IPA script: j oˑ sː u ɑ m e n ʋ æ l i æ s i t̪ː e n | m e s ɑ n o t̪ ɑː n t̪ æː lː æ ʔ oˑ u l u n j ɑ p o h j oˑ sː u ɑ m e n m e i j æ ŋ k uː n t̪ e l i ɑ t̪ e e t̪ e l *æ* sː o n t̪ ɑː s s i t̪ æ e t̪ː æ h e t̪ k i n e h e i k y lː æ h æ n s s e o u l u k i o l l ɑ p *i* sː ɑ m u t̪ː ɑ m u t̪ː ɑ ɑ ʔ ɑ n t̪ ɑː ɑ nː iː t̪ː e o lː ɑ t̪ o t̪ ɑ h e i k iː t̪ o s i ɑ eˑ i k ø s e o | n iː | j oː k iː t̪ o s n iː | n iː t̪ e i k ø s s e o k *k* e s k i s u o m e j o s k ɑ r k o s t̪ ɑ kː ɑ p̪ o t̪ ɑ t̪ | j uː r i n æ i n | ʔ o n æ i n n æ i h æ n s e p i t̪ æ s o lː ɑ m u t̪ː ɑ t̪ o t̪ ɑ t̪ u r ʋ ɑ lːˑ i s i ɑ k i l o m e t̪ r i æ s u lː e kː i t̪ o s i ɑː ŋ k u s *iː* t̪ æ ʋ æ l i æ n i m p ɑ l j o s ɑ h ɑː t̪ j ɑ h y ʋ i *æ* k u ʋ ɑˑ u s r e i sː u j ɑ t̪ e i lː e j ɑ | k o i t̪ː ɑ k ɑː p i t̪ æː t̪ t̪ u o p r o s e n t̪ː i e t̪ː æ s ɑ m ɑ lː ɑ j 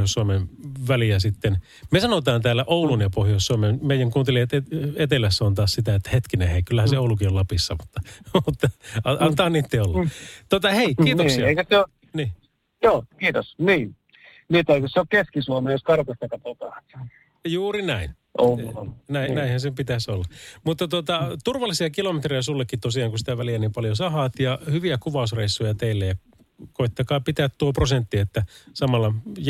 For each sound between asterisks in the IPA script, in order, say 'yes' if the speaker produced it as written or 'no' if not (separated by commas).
yes, yes, yes, no, yes